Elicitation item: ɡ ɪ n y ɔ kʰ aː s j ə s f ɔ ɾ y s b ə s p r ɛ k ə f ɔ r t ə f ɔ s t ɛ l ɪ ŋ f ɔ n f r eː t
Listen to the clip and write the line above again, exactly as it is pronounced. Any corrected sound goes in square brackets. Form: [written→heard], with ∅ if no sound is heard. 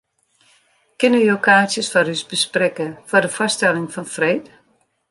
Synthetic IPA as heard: [ɡ→k] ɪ n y [ɔ→o] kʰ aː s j ə s f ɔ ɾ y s b ə s p r ɛ k ə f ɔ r [t→d] ə f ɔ s t ɛ l ɪ ŋ f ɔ n f r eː t